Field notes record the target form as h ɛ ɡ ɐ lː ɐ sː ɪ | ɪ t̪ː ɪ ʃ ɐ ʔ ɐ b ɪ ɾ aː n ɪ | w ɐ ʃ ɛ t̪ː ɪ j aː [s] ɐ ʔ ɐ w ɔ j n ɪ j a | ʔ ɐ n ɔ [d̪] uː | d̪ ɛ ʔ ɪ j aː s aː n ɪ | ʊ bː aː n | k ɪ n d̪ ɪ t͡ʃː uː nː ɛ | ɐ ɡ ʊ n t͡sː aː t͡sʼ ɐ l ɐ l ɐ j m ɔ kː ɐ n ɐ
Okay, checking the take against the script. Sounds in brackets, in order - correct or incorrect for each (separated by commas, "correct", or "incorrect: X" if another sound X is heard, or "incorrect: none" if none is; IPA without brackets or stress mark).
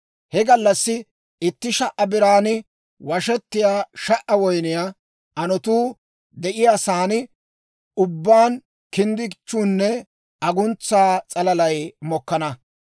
incorrect: ʃ, incorrect: t̪